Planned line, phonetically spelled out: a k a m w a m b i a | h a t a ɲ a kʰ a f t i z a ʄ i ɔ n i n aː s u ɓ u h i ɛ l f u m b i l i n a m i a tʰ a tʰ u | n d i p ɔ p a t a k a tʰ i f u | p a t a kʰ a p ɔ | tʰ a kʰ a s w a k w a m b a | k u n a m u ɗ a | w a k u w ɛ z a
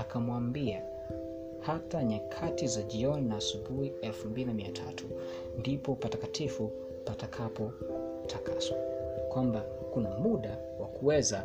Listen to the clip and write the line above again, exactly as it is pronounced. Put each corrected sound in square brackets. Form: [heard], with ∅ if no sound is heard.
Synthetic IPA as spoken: a k a m w a m b i a | h a t a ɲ a kʰ a [∅] t i z a ʄ i ɔ n i n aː s u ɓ u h i ɛ l f u m b i l i n a m i a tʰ a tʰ u | n d i p ɔ p a t a k a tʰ i f u | p a t a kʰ a p ɔ | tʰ a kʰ a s w a k w a m b a | k u n a m u ɗ a | w a k u w ɛ z a